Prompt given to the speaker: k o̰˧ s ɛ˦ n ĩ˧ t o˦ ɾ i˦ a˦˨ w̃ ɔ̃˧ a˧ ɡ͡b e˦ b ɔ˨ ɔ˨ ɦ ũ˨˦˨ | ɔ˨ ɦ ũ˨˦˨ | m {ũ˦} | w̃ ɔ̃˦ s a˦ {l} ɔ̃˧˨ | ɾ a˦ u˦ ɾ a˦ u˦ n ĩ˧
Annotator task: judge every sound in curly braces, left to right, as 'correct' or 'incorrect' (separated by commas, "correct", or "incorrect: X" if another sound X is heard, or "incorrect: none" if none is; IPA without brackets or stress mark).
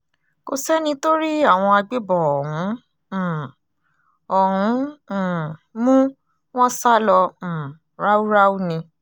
correct, correct